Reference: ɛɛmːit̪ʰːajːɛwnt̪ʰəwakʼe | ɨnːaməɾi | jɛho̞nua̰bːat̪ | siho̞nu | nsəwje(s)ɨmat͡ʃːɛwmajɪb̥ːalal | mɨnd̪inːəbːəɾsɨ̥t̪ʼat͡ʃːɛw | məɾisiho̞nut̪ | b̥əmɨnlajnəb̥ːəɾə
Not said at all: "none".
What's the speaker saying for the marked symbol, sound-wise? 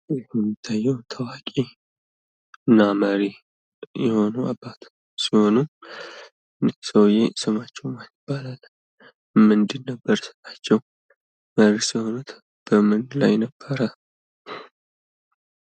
s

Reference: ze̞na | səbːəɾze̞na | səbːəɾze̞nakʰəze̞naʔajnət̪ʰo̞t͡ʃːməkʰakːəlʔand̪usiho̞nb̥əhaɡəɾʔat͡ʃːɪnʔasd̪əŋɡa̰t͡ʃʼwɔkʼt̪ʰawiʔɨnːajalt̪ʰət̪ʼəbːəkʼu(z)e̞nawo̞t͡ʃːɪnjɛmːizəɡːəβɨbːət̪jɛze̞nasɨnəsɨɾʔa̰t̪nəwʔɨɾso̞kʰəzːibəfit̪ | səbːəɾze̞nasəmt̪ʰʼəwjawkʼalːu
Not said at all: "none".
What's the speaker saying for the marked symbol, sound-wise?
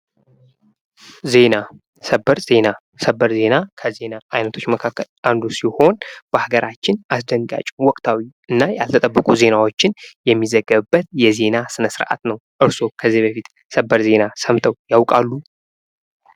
z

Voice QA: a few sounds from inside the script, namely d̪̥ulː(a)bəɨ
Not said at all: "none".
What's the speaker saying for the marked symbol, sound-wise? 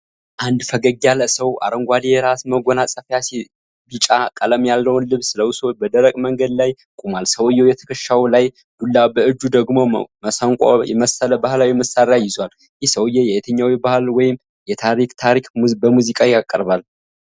a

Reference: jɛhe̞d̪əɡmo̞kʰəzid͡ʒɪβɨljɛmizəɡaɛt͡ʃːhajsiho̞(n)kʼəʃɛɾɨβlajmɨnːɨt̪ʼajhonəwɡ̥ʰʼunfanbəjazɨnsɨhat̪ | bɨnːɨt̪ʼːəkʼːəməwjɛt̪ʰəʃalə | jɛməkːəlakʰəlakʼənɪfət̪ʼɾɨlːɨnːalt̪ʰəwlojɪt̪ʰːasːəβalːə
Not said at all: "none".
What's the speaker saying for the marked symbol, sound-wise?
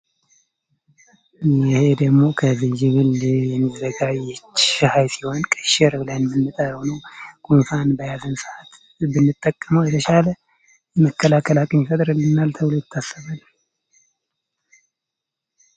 n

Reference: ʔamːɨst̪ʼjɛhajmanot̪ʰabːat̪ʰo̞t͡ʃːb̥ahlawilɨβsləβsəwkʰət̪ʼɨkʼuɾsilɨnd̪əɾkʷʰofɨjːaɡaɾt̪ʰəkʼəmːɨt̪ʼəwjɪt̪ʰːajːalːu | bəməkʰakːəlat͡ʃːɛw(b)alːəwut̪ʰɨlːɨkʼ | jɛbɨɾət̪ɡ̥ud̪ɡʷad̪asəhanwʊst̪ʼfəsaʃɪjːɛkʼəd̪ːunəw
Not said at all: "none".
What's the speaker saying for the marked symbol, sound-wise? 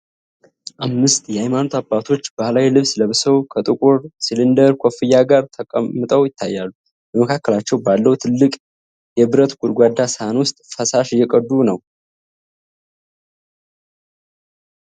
b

